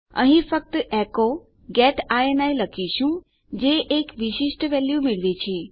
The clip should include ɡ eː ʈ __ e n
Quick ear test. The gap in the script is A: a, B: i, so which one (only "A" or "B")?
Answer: A